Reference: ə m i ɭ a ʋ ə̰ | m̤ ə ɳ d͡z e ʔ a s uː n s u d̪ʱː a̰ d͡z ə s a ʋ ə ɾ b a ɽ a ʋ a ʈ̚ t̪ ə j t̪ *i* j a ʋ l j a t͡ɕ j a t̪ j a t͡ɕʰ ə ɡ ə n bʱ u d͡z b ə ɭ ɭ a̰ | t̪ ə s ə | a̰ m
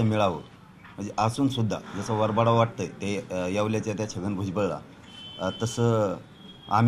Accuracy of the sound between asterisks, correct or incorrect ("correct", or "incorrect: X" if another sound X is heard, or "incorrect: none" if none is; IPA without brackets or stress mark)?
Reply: incorrect: e